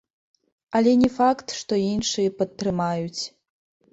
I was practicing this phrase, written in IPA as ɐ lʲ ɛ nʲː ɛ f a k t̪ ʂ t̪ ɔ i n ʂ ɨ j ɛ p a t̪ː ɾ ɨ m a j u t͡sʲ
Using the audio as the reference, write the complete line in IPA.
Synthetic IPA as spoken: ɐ lʲ ɛ nʲ ɛ f a k t̪ ʂ t̪ ɔ i n ʂ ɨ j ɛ p ɐ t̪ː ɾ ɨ m a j u t͡sʲ